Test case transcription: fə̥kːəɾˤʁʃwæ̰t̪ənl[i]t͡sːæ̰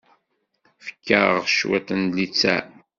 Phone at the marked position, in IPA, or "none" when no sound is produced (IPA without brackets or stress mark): i